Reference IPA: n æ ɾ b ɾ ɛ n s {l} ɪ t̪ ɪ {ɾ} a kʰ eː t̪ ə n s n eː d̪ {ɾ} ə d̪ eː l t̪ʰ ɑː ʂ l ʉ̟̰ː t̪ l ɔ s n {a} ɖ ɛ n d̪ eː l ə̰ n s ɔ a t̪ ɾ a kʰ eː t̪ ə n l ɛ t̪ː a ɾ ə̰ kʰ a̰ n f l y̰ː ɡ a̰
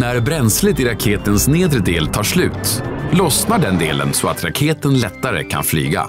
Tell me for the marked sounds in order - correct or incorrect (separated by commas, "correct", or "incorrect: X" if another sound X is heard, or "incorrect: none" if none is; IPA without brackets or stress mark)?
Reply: correct, correct, correct, correct